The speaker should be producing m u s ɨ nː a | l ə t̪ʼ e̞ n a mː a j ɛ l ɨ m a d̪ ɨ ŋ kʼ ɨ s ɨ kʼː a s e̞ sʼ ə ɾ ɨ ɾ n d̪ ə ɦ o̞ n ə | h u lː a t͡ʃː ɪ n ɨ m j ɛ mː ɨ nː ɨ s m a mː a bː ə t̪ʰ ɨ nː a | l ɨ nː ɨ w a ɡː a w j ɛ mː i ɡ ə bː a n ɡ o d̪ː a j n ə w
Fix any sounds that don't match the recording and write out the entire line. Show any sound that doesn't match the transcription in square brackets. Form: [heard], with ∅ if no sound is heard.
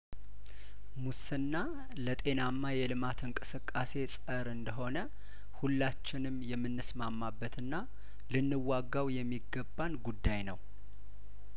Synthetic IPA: m u s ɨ nː a | l ə t̪ʼ e̞ n a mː a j ɛ l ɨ m a [t̪] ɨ ŋ kʼ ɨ s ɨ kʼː a s e̞ sʼ ə ɾ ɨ [∅] n d̪ ə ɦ o̞ n ə | h u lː a t͡ʃː ɪ n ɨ m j ɛ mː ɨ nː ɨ s m a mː a bː ə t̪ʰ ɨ nː a | l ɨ nː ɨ w a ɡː a w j ɛ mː i ɡ ə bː a n ɡ [u] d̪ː a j n ə w

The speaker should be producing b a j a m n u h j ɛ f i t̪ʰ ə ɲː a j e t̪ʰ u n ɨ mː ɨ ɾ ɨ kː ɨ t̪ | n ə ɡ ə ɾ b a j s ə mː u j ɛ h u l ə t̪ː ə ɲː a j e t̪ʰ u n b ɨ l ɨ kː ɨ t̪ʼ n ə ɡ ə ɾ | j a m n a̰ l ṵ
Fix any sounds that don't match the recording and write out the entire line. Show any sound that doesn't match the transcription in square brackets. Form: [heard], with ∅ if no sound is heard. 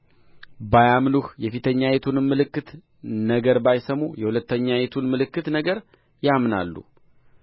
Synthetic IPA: b a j a m n u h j ɛ f i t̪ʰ ə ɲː a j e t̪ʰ u n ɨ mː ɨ [l] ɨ kː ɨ t̪ | n ə ɡ ə ɾ b a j s ə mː u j ɛ h u l ə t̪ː ə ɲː a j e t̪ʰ u n [m] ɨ l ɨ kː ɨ [t̪] n ə ɡ ə ɾ | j a m n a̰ [lː] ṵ

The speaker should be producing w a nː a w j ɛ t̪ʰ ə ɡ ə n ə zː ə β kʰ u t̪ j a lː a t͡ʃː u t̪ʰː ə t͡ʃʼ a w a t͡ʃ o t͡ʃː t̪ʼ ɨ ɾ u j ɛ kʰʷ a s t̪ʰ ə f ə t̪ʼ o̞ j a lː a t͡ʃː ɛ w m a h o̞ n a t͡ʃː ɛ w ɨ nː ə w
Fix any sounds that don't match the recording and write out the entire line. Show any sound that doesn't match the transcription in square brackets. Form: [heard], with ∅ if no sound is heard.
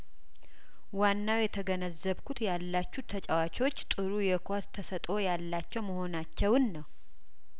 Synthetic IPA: w a nː a w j ɛ t̪ʰ ə ɡ ə n ə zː ə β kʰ u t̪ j a lː a t͡ʃː u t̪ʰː ə t͡ʃʼ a w a t͡ʃ o t͡ʃː t̪ʼ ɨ ɾ u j ɛ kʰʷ a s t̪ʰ ə [s] ə t̪ʼ o̞ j a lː a t͡ʃː ɛ w m [ə] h o̞ n a t͡ʃː ɛ w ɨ nː ə w

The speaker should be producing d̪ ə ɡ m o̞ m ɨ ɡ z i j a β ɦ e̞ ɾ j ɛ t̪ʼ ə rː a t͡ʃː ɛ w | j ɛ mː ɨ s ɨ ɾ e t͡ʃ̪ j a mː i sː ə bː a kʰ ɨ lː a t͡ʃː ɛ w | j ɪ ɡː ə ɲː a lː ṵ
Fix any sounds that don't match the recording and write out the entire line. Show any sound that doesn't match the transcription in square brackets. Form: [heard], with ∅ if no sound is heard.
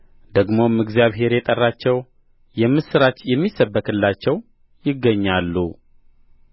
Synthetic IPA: d̪ ə ɡ m o̞ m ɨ ɡ z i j a β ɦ e̞ ɾ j ɛ t̪ʼ ə rː a t͡ʃː ɛ w | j ɛ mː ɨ s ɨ ɾ [a] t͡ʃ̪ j [ɛ] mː i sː ə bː [ə] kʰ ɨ lː a t͡ʃː ɛ w | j ɪ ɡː ə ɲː a lː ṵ

